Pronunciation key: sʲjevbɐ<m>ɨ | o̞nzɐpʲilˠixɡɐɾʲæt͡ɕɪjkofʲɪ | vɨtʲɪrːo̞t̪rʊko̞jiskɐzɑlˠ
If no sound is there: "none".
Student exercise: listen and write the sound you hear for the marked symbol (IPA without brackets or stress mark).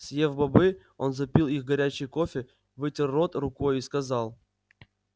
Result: b